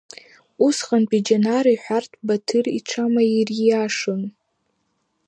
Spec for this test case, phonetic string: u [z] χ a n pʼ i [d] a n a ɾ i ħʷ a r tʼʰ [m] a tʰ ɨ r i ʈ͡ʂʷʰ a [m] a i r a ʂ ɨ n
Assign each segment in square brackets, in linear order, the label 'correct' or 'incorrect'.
incorrect: s, incorrect: d͡ʒ, incorrect: b, correct

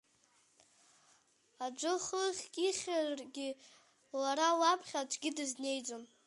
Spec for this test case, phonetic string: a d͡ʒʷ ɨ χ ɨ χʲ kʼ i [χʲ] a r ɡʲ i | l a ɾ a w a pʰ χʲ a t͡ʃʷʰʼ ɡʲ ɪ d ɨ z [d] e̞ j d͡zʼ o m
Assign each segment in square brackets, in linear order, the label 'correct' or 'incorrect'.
correct, incorrect: n

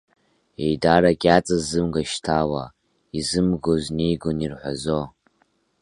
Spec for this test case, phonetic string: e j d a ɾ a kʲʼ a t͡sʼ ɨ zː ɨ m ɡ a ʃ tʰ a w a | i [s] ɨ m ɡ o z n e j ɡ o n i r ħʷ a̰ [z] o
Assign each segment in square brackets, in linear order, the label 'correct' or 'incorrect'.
incorrect: z, correct

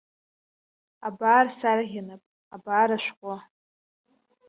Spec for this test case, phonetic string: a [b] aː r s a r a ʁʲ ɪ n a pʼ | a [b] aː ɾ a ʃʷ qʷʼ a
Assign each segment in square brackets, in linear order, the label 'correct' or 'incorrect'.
correct, correct

